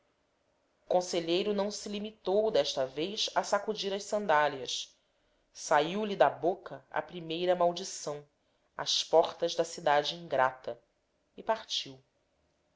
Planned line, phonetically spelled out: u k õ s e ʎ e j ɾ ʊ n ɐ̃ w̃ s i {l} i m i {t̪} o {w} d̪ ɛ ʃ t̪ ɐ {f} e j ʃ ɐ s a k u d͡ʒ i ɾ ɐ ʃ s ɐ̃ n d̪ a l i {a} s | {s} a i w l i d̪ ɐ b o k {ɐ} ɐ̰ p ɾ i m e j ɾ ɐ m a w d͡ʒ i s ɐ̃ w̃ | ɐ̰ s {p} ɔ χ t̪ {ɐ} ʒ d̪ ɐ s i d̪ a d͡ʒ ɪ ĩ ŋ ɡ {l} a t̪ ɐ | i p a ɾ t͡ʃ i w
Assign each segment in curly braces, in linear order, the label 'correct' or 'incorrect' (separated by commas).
correct, correct, correct, incorrect, incorrect, correct, correct, correct, correct, incorrect